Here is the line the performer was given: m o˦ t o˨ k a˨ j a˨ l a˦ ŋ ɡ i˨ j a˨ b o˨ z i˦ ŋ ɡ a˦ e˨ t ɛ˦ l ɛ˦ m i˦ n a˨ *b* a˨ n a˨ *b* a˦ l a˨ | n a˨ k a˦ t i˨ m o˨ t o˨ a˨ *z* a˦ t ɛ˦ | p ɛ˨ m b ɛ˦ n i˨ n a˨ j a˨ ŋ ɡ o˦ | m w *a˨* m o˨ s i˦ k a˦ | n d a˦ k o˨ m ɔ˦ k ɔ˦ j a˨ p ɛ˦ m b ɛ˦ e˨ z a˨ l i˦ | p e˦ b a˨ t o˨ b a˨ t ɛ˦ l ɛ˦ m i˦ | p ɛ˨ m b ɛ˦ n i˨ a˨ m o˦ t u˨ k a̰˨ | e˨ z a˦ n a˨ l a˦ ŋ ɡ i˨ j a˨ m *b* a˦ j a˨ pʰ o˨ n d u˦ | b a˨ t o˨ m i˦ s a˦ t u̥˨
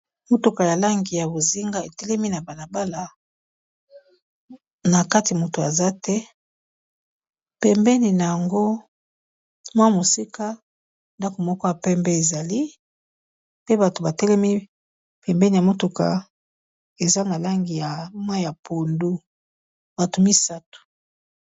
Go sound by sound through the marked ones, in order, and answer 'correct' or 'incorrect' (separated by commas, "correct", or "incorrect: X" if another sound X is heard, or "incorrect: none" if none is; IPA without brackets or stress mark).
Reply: correct, correct, correct, incorrect: a˦, incorrect: w